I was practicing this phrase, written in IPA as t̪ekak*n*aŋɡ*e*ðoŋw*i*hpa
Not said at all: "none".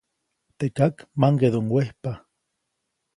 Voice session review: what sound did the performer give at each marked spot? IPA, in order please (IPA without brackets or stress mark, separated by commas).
m, e, e